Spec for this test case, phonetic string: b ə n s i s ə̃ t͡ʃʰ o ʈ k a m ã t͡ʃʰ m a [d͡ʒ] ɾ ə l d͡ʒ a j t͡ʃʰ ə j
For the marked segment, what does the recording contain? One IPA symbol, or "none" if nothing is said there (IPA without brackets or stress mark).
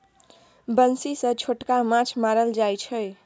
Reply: none